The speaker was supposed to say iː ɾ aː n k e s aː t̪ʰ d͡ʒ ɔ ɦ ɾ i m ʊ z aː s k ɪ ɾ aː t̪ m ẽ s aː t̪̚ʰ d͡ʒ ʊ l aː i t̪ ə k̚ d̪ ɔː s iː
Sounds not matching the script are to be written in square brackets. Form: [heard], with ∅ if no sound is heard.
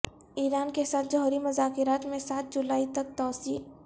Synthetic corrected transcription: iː ɾ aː n k e s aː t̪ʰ d͡ʒ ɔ ɦ ɾ i m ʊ z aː [∅] k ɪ ɾ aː t̪ m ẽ s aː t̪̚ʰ d͡ʒ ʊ l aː i t̪ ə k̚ [t̪] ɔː s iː